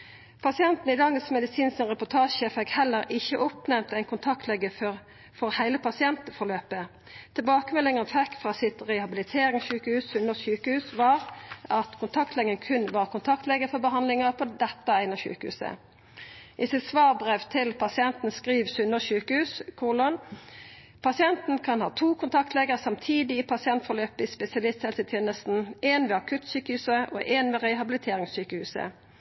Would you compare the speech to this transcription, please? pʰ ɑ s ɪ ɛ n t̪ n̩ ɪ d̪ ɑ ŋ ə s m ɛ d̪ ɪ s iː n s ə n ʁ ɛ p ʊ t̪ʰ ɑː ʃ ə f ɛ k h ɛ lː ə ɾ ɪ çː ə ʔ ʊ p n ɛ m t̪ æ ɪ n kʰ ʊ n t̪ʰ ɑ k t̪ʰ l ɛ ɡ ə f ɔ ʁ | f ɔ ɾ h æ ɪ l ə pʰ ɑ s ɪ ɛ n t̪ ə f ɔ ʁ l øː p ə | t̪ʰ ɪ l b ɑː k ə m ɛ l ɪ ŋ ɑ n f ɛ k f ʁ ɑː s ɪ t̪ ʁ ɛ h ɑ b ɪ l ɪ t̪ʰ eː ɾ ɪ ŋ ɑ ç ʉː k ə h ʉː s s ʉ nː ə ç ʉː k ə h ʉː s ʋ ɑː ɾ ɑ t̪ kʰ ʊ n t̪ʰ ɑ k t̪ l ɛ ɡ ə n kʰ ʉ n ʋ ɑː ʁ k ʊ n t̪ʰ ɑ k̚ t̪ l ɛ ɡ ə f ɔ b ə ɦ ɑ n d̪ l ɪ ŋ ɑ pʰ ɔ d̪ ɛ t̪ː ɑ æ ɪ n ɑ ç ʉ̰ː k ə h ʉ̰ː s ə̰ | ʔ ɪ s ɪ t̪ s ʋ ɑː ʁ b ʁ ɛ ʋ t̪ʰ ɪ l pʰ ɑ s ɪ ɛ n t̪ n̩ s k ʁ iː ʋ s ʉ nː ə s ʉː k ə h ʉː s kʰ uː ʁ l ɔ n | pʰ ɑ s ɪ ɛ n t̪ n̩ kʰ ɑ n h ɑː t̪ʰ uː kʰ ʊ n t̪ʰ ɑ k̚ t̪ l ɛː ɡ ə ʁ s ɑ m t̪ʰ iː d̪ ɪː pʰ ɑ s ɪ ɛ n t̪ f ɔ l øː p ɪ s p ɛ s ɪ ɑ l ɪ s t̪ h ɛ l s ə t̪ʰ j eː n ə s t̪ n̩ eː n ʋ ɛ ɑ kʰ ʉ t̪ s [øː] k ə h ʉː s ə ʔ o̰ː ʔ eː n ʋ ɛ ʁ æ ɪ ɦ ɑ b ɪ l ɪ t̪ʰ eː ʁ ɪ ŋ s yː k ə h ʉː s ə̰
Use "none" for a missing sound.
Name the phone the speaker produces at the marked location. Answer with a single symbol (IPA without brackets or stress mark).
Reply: yː